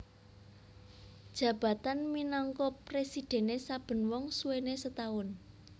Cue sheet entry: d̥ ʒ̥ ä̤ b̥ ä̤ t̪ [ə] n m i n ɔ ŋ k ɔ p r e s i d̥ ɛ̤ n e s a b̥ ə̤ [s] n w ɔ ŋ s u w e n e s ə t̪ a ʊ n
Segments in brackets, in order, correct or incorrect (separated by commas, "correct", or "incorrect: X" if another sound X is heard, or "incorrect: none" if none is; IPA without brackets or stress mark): incorrect: a, incorrect: none